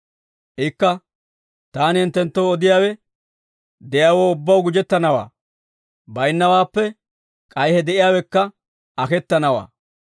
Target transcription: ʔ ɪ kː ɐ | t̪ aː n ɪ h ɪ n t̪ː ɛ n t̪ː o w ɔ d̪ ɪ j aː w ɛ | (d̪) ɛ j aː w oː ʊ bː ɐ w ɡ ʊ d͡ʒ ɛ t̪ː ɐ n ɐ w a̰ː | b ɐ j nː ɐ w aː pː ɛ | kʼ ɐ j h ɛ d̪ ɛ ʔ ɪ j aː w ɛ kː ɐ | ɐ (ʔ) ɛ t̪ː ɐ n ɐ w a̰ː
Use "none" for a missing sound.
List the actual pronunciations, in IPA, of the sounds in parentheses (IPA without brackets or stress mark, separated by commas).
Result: d̪, k